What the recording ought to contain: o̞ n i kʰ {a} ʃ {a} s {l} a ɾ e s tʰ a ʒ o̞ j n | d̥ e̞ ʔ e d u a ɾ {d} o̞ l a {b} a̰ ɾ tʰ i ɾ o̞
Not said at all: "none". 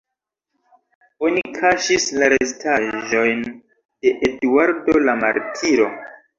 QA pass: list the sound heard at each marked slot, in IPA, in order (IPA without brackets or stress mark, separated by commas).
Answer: a, i, l, d, m